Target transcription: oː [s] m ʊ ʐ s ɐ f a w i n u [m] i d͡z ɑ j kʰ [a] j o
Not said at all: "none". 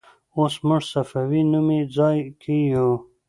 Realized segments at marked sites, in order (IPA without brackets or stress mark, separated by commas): s, m, i